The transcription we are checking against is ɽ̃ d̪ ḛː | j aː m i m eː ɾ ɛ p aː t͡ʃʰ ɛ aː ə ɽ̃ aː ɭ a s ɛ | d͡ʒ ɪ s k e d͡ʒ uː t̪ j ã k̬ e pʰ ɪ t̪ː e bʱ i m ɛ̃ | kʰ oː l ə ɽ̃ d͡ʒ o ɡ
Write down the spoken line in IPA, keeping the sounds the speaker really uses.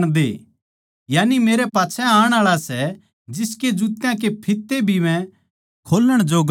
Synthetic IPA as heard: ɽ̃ d̪ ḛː | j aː n i m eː ɾ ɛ p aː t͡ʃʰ ɛ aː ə ɽ̃ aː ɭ a s ɛ | d͡ʒ ɪ s k e d͡ʒ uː t̪ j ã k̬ e pʰ ɪ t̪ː e bʱ i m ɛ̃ | kʰ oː l ə ɽ̃ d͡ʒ o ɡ

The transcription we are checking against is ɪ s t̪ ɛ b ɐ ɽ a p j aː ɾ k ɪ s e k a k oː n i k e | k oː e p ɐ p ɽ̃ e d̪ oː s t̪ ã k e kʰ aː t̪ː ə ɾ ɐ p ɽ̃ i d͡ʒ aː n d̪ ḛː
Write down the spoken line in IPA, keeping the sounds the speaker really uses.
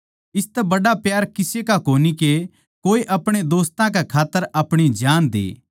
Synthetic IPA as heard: ɪ s t̪ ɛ b ɐ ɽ a p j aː ɾ k ɪ s e k a k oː n i k e | k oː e ʔ ɐ p ɽ̃ e d̪ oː s t̪ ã k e kʰ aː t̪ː ə ɾ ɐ p ɽ̃ i d͡ʒ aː n d̪ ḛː

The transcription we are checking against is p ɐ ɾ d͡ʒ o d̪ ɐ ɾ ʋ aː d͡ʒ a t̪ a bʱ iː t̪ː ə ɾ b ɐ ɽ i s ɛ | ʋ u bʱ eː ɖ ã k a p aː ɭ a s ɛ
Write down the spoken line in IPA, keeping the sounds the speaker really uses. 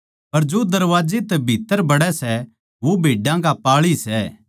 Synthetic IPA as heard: p ɐ ɾ d͡ʒ o d̪ ɐ ɾ ʋ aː d͡ʒ e t̪ ɛ bʱ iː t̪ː ə ɾ b ɐ ɽ ɛ s ɛ | ʋ o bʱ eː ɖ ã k a p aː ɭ i s ɛ

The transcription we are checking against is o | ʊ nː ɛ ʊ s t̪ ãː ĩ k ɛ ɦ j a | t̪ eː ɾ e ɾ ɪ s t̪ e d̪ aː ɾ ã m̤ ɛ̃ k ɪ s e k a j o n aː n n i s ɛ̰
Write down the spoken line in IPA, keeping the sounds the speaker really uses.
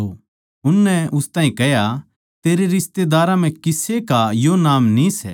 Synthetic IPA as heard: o | ʊ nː ɛ ʊ s t̪ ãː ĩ k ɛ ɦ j a | t̪ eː ɾ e ɾ ɪ s t̪ e d̪ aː ɾ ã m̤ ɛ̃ k ɪ s e k a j o n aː m n i s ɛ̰

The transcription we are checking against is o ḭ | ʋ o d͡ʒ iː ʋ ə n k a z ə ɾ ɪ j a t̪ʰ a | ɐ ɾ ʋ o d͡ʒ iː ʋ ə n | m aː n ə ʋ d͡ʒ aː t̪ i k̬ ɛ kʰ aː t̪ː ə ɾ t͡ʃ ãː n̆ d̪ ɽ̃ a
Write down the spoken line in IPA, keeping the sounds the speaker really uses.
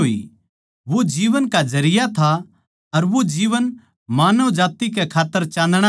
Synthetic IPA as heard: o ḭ | ʋ o d͡ʒ iː ʋ ə n k a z ɐ ɾ ɪ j a t̪ʰ a | ɐ ɾ ʋ o d͡ʒ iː ʋ ə n | m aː n ə ʋ d͡ʒ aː t̪ i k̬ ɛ kʰ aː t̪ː ə ɾ t͡ʃ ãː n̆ d̪ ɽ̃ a

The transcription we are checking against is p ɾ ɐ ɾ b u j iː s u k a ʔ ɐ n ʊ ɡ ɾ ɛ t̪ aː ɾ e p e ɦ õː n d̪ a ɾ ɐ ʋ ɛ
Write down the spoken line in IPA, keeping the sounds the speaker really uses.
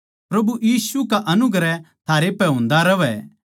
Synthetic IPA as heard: p ɾ ɐ b u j iː s u k a ʔ ɐ n ʊ ɡ ɾ ɛ t̪ʰ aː ɾ e p ɛ ɦ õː n d̪ a ɾ ɐ ʋ ɛ

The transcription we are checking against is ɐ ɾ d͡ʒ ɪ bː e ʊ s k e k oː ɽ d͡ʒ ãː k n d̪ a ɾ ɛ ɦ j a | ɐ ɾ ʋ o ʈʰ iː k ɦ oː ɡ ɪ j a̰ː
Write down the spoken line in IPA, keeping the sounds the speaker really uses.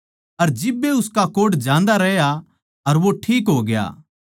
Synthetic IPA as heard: ɐ ɾ d͡ʒ ɪ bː e ʊ s k a k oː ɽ d͡ʒ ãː n d̪ a ɾ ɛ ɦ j a | ɐ ɾ ʋ o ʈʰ iː k ɦ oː ɡ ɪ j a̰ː

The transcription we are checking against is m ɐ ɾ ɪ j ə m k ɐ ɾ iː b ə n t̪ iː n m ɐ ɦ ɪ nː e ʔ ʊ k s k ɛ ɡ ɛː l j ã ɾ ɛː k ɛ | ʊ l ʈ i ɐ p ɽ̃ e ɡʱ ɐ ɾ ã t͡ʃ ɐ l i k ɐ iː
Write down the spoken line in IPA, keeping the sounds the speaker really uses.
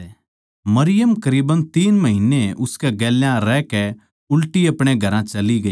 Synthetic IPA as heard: m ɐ ɾ ɪ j ə m k ɐ ɾ iː b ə n t̪ iː n m ɐ ɦ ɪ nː e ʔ ʊ s k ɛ ɡ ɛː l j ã ɾ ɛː k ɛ | ʊ l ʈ i ɐ p ɽ̃ e ɡʱ ɐ ɾ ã t͡ʃ ɐ l i ɡ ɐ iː

